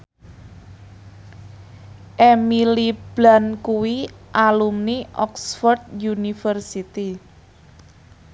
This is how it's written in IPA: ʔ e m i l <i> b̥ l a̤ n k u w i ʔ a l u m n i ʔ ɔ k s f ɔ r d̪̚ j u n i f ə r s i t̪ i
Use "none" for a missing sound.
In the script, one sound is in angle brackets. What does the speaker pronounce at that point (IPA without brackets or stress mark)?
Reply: i